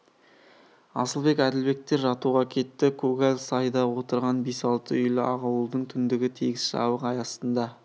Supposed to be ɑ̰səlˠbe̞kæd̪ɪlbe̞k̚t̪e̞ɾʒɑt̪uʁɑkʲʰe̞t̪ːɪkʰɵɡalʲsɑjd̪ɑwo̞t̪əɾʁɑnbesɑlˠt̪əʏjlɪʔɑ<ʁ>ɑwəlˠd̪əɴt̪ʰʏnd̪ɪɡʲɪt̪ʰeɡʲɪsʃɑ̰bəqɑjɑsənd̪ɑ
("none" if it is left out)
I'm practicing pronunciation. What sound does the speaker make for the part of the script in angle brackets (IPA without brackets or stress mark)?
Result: ʁ